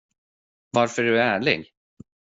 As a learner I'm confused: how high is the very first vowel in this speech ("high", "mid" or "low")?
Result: low